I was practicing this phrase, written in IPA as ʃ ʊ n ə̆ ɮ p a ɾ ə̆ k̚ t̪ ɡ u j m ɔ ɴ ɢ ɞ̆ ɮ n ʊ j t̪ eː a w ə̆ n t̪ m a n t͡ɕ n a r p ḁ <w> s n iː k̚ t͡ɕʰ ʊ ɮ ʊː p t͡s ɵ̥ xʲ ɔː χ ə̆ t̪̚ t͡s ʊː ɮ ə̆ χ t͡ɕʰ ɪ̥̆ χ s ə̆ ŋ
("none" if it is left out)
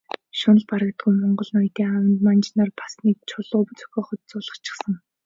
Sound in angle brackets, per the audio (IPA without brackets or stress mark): none